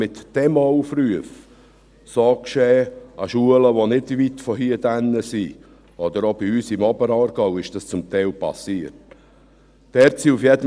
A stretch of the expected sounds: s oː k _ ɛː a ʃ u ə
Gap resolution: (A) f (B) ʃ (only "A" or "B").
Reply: B